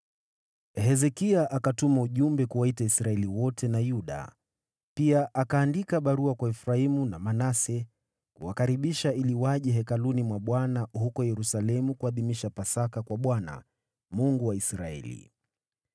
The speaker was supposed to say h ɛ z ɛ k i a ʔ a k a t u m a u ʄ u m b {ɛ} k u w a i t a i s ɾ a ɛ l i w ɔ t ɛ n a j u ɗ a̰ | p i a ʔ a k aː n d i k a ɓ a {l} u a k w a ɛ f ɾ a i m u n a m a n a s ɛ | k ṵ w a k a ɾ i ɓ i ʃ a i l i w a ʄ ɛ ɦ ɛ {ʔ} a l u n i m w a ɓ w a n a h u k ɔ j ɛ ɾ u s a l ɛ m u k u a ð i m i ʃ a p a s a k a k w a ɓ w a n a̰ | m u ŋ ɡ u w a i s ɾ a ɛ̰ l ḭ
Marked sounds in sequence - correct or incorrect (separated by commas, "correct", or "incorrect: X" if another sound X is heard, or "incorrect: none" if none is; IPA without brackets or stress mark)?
correct, incorrect: ɾ, incorrect: k